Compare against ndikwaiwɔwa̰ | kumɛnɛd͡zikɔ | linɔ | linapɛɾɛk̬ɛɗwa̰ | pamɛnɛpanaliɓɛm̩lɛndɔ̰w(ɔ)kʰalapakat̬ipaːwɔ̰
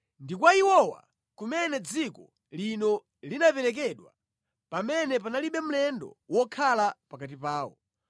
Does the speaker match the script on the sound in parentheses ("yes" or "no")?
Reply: yes